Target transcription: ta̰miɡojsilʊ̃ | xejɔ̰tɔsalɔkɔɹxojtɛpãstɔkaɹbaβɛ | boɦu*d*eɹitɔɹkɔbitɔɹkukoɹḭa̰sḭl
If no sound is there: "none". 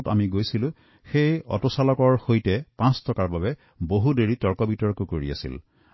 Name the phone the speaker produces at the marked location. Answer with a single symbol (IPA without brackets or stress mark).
d